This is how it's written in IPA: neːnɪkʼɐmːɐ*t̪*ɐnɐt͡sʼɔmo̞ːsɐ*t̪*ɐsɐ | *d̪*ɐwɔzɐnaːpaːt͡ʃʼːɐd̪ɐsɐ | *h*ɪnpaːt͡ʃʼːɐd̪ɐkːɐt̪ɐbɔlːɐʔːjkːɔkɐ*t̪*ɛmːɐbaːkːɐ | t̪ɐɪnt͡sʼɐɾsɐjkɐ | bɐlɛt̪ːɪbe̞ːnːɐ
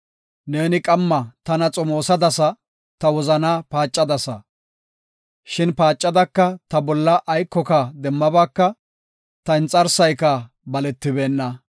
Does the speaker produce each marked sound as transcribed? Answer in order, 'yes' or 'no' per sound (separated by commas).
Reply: yes, no, no, no, no